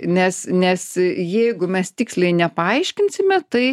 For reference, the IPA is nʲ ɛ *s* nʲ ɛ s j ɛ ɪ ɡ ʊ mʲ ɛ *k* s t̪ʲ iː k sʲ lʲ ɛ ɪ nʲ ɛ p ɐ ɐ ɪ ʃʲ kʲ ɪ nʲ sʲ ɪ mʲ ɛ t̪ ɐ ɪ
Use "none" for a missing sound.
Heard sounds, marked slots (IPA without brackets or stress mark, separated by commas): s, none